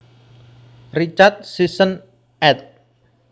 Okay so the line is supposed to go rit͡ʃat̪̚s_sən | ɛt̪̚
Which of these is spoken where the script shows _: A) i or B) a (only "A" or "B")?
A